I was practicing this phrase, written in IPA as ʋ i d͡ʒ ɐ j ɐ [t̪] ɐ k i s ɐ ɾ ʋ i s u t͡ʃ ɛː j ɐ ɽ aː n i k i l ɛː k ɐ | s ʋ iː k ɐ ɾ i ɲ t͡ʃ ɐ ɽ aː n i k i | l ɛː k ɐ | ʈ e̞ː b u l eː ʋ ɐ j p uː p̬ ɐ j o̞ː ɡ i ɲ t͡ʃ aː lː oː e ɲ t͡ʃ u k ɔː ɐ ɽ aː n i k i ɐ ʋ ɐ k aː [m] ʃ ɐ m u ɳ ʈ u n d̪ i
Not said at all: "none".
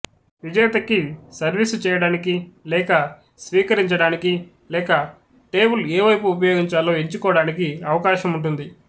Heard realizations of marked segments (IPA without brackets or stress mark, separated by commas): t̪, none